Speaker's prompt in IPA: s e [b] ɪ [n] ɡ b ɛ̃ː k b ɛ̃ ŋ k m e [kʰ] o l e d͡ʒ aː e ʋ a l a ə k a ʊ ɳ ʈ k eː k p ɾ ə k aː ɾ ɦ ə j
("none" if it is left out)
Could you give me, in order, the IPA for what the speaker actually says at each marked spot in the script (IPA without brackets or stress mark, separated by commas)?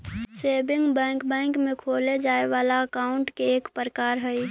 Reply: b, ŋ, kʰ